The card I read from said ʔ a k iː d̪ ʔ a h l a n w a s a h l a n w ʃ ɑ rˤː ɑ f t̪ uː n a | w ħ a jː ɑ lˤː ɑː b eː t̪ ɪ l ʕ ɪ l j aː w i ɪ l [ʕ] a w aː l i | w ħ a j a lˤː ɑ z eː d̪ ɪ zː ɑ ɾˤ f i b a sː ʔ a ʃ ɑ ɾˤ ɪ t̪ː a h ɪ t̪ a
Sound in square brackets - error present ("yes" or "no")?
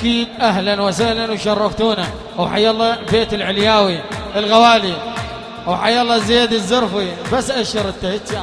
yes